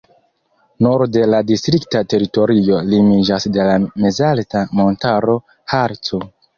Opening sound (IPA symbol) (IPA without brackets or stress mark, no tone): n